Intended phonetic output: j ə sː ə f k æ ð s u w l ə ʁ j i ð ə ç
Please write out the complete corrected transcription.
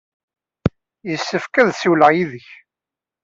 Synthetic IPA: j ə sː ə f k æ ð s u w l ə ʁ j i ð ə ç